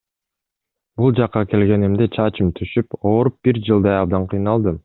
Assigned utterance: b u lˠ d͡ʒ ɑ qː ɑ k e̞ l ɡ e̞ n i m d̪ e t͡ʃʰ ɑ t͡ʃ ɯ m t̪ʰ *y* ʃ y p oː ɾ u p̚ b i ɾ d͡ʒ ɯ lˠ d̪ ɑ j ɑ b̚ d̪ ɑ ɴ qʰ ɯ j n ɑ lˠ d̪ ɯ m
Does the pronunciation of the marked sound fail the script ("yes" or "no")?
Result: no